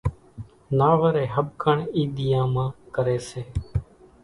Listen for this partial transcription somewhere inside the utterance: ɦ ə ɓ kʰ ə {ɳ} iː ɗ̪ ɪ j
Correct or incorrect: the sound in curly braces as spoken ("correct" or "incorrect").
correct